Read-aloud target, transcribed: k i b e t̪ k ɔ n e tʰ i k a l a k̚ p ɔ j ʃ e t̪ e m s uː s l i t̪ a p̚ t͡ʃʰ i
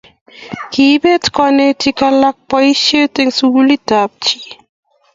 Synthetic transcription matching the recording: k i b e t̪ k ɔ n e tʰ i k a l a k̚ p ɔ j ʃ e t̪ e ŋ s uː l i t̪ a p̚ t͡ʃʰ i